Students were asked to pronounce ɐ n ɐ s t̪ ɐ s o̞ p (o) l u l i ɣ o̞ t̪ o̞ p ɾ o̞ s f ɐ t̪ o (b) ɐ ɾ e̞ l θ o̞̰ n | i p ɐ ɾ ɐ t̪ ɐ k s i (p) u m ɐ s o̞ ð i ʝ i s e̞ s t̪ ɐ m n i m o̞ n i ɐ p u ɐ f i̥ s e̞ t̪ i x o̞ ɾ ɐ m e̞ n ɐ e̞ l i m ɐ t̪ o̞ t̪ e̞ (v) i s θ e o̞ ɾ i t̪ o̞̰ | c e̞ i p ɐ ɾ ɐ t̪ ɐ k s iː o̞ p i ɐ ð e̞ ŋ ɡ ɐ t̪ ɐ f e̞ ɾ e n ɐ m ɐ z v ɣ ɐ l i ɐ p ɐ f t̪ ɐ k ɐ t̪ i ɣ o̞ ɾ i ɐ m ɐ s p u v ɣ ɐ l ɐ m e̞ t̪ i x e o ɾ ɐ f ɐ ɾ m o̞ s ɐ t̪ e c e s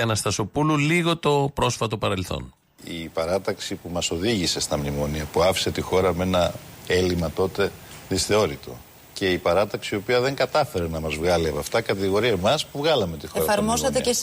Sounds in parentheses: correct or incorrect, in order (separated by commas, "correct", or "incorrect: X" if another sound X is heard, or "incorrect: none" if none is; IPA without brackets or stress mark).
incorrect: u, incorrect: p, correct, incorrect: ð